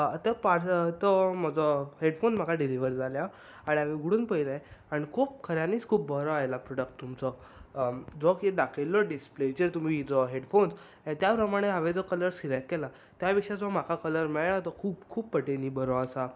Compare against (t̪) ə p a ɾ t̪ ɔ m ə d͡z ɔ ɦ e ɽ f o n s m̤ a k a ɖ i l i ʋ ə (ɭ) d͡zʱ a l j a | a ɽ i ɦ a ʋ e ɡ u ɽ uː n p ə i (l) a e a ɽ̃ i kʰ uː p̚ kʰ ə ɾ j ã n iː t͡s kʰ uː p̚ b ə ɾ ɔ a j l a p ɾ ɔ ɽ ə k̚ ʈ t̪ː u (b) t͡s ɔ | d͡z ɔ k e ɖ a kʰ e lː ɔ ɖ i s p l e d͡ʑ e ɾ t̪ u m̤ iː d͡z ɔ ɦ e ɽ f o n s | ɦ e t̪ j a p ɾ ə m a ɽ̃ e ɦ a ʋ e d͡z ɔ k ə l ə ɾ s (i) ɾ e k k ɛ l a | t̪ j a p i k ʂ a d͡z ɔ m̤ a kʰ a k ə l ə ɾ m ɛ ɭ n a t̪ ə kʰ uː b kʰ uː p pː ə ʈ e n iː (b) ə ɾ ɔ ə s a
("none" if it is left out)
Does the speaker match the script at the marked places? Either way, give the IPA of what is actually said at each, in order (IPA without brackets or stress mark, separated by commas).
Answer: t̪, ɾ, l, m, i, b